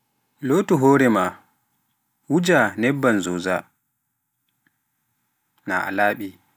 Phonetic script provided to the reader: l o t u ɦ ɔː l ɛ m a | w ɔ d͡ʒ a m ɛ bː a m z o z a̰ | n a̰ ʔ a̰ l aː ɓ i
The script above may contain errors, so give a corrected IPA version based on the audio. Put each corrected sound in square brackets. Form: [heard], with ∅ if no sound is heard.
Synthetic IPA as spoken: l o t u ɦ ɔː [ɾ] ɛ m a | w [u] d͡ʒ a [n] ɛ bː a [n] z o z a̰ | n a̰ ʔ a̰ l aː ɓ i